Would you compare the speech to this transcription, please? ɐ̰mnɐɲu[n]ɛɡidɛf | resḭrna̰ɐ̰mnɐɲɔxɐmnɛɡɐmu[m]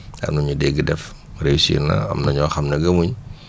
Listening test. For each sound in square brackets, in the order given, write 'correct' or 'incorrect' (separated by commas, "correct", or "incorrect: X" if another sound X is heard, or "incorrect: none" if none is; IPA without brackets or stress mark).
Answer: incorrect: d, incorrect: ɲ